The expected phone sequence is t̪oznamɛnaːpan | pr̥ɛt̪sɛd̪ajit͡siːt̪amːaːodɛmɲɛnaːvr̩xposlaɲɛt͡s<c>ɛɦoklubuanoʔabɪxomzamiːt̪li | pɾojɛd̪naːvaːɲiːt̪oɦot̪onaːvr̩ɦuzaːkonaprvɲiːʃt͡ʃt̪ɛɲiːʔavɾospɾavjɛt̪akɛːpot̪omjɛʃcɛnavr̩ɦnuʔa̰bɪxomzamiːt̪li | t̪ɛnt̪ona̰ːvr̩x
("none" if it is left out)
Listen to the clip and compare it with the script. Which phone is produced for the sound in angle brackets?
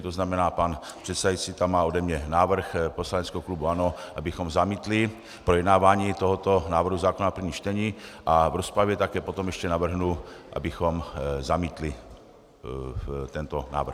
k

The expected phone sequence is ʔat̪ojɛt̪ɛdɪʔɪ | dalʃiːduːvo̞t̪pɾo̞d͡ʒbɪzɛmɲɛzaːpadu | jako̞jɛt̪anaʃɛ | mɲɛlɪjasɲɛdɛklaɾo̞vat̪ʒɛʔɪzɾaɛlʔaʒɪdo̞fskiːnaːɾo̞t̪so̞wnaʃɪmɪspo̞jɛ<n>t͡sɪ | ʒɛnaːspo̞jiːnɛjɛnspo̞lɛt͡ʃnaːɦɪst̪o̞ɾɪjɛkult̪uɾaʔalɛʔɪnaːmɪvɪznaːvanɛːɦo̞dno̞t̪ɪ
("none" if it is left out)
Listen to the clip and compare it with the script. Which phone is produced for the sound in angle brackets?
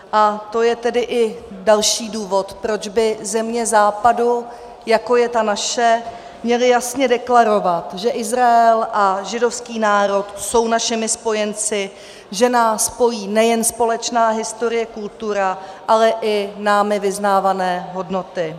n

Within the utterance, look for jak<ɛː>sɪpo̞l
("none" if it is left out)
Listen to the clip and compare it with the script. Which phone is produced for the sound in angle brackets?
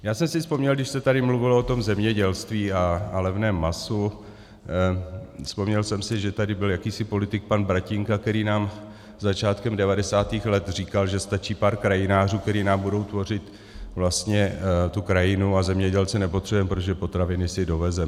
iː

